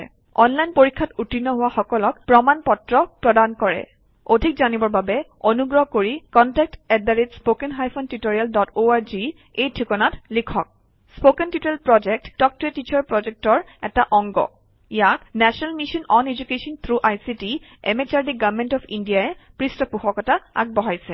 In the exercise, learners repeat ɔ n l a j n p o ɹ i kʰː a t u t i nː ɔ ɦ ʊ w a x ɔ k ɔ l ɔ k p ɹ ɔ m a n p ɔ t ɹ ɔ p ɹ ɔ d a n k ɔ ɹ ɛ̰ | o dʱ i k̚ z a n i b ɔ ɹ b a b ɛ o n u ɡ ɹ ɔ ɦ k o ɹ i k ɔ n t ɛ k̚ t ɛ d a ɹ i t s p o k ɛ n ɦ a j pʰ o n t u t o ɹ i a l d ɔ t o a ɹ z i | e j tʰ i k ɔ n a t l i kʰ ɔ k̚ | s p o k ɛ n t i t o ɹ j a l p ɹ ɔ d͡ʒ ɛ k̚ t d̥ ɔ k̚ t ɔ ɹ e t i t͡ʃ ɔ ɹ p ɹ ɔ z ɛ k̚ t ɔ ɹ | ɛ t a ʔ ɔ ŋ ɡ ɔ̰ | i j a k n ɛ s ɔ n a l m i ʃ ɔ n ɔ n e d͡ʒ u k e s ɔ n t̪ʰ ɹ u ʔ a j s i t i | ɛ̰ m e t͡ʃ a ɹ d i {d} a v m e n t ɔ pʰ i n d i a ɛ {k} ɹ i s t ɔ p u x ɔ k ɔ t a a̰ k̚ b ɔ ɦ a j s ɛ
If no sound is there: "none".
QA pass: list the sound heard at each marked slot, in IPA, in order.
ɡ, p

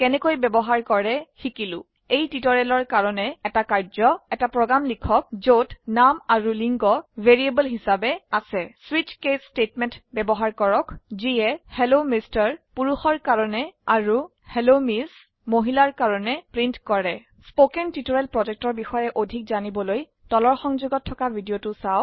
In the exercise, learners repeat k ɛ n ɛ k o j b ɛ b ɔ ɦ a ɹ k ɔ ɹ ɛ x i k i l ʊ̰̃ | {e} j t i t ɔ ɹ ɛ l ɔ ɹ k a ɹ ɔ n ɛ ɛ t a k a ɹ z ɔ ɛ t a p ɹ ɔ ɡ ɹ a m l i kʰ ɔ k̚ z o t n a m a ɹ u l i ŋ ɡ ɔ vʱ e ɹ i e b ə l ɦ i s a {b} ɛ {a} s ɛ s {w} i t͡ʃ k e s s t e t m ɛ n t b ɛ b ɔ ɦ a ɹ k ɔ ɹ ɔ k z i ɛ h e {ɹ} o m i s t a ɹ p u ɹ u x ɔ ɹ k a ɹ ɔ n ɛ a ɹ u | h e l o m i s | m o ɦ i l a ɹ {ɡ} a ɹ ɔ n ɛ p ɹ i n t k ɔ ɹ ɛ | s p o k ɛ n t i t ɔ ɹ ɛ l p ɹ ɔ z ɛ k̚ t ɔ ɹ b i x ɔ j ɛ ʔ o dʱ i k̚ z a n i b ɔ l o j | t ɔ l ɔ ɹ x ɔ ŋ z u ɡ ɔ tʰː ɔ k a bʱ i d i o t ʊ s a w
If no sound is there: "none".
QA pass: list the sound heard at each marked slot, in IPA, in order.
e, b, a, w, l, k

